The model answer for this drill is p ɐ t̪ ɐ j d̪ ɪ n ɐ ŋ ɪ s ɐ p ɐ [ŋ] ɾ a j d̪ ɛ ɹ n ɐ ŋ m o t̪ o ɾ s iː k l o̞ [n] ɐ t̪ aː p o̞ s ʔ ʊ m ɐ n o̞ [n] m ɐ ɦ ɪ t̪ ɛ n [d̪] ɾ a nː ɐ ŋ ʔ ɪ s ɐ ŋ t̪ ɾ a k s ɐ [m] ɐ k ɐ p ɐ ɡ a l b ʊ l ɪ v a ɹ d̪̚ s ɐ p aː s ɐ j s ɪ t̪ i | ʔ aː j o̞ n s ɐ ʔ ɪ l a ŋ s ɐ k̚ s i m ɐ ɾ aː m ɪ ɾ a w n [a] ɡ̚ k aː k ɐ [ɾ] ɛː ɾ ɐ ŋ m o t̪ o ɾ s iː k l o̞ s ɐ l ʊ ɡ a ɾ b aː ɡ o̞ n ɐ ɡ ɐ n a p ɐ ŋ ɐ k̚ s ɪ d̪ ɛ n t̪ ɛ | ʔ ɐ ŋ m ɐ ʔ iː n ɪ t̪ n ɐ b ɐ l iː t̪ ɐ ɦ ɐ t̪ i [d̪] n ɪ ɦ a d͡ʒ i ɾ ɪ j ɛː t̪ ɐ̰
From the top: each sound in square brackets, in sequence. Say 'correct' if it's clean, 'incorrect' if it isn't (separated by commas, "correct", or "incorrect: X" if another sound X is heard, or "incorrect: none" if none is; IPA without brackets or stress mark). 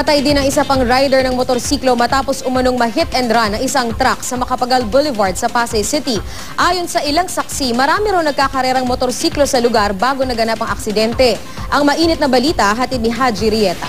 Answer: correct, incorrect: m, incorrect: ŋ, correct, correct, incorrect: ɐ, correct, correct